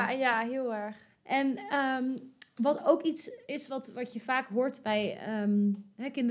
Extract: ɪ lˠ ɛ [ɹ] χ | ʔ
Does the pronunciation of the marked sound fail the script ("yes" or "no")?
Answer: no